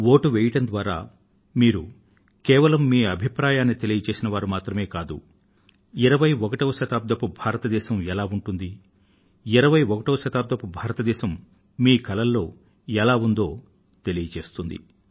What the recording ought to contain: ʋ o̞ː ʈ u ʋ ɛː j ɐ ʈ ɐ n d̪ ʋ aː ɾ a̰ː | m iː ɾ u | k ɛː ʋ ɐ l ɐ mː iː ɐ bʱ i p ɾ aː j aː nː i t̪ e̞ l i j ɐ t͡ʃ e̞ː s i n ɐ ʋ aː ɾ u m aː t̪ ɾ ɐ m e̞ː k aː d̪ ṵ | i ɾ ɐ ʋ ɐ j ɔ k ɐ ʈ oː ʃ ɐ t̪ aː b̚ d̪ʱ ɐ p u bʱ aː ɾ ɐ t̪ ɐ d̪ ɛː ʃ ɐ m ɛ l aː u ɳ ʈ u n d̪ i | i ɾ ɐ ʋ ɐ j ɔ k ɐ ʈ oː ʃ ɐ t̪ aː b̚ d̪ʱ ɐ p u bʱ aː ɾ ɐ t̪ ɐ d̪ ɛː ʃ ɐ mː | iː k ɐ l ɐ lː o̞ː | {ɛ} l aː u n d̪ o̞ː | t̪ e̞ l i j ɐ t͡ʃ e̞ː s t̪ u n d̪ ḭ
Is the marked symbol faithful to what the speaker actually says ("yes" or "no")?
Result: yes